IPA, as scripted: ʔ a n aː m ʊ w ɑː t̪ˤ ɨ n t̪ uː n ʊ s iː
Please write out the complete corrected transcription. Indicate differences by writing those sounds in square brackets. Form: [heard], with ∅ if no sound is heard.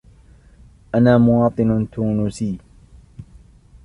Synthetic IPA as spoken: ʔ a n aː m ʊ w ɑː t̪ˤ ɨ n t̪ uː n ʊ s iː